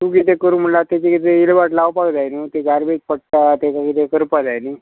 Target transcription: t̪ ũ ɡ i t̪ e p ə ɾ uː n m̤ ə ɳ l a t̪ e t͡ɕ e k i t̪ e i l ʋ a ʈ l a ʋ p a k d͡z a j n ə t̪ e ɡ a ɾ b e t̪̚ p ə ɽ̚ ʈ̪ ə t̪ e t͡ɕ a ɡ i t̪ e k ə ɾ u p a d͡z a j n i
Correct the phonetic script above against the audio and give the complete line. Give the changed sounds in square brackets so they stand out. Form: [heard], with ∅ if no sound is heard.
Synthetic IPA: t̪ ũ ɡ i t̪ e [k] ə ɾ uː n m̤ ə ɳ l a t̪ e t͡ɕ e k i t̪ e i l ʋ a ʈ l a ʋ p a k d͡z a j n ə t̪ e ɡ a ɾ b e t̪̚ p ə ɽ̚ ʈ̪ [a] t̪ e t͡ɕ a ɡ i t̪ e k ə ɾ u p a d͡z a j n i